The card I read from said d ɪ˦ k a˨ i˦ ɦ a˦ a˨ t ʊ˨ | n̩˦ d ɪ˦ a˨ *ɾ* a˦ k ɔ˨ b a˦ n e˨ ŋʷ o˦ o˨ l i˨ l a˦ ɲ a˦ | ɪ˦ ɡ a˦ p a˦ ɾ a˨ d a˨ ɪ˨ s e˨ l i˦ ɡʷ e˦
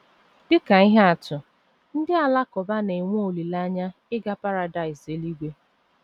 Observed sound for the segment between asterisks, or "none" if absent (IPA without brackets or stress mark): l